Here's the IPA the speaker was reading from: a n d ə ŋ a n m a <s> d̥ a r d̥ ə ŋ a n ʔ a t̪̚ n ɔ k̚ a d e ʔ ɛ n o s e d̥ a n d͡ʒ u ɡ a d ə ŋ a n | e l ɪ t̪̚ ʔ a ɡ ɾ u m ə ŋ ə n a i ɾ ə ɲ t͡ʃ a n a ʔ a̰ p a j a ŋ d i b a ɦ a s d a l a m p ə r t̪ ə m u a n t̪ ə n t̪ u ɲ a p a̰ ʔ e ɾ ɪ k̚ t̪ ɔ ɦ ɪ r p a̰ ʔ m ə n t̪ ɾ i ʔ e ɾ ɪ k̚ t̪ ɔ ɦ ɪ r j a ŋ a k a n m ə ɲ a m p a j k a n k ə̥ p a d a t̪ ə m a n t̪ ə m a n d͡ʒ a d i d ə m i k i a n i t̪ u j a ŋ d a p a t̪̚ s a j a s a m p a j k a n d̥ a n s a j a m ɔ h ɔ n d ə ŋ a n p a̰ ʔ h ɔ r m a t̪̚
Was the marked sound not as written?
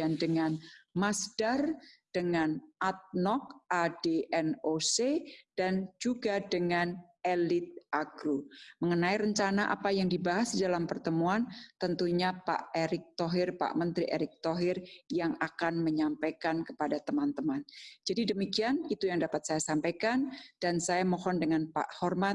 no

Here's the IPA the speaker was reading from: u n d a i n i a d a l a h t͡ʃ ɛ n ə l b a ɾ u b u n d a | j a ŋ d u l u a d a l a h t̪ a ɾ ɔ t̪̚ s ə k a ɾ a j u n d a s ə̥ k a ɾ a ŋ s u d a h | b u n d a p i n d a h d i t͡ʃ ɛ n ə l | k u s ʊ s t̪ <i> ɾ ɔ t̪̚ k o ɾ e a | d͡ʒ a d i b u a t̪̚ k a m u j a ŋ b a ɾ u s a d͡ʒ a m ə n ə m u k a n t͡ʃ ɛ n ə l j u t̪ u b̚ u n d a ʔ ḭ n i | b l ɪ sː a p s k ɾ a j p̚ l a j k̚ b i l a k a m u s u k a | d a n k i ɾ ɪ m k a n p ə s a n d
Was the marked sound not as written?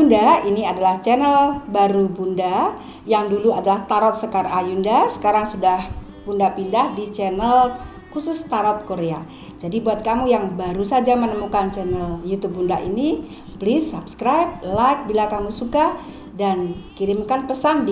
yes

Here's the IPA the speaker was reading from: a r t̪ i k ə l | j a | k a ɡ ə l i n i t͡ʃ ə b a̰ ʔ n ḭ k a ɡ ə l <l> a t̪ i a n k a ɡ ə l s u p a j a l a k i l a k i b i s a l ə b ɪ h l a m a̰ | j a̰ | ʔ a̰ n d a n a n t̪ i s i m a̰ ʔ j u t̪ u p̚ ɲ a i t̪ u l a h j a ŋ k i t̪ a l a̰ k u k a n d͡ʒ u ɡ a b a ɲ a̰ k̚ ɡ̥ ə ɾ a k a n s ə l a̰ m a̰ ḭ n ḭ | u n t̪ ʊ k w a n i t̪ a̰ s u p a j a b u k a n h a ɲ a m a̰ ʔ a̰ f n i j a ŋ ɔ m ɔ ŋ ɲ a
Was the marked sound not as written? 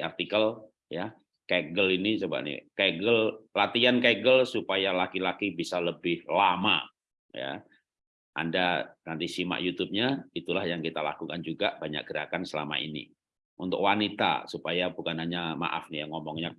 no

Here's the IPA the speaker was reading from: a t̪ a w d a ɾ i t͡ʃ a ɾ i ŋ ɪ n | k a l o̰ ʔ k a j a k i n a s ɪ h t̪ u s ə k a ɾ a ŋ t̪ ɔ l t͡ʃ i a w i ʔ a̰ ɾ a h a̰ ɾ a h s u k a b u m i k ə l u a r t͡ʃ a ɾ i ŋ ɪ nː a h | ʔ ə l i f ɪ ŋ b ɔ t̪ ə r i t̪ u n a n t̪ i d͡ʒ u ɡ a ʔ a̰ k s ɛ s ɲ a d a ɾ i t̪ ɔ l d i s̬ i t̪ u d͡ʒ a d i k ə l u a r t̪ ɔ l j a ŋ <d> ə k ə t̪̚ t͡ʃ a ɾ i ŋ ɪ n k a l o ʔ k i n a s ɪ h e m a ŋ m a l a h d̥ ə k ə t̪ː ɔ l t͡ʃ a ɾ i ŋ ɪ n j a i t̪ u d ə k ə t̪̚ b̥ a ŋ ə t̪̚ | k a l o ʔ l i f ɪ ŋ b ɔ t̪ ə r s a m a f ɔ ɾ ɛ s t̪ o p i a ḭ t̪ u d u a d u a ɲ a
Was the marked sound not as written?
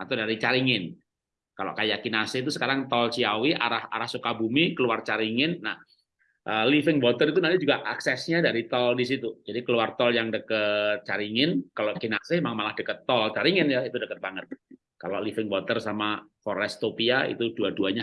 no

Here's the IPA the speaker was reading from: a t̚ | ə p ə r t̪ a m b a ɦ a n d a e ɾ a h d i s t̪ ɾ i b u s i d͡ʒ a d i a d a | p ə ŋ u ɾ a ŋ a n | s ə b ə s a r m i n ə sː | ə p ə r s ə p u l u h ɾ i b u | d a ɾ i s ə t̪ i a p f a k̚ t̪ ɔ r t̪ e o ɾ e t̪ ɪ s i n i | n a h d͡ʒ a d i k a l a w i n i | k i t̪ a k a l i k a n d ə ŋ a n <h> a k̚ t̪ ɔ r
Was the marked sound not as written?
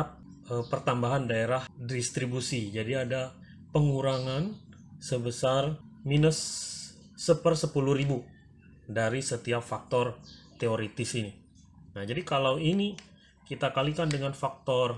yes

